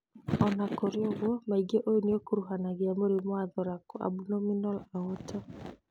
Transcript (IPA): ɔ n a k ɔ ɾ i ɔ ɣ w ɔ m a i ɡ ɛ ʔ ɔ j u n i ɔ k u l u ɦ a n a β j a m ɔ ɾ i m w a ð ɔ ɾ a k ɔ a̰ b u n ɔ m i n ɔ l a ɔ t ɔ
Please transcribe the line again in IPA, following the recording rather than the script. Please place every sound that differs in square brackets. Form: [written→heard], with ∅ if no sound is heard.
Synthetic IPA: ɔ n a k ɔ ɾ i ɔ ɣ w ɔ m a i ɡ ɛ ʔ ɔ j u n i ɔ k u [l→ɾ] u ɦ a n a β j a m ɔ ɾ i m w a ð ɔ ɾ a k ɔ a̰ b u n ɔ m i n ɔ l a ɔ t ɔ